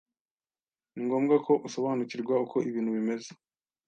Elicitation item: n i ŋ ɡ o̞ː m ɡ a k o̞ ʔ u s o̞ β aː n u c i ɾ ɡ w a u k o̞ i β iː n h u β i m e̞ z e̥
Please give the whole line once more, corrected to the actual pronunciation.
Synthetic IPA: n i ŋ ɡ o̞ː m ɡ a k o̞ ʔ u s o̞ β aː n u c i ɾ ɡ w a u k o̞ i β iː n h u β i m e̞ z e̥